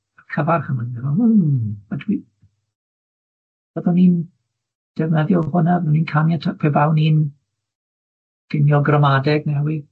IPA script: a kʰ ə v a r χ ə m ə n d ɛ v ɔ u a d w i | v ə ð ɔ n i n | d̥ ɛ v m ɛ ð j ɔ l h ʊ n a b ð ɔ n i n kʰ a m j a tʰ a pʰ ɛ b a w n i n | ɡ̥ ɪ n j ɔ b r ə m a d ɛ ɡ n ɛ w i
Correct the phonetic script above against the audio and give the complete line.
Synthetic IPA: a kʰ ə v a r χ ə m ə n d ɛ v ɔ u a d w i | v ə ð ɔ n i n | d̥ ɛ v n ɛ ð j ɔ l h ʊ n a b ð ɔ n i n kʰ a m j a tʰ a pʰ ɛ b a w n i n | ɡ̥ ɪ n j ɔ ɡ r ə m a d ɛ ɡ n ɛ w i